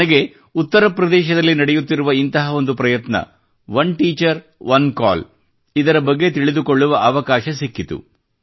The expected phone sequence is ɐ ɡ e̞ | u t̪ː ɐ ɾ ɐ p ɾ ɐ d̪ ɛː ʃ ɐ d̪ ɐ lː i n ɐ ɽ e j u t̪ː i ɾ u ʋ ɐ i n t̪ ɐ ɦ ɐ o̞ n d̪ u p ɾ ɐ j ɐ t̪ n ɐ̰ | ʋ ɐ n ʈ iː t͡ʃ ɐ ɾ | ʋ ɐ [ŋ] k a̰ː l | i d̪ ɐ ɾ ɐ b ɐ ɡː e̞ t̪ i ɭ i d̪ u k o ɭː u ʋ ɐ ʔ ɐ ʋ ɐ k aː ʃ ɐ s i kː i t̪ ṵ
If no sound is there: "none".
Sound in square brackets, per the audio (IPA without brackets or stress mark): n